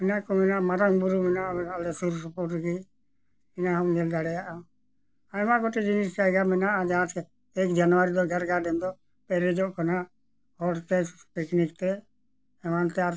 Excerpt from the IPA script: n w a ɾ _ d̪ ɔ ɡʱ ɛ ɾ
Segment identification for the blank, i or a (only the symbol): i